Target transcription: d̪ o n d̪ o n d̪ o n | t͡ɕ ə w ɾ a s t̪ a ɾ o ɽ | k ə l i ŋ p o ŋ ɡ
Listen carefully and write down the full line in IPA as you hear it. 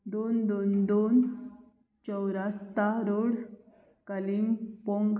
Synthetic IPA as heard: d̪ o n d̪ o n d̪ o n | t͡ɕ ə w ɾ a s t̪ a ɾ o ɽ | k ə l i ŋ p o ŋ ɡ